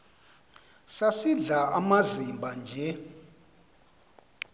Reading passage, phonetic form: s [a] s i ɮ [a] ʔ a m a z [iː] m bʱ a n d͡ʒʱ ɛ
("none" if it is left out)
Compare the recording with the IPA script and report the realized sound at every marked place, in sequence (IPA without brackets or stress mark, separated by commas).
a, a, i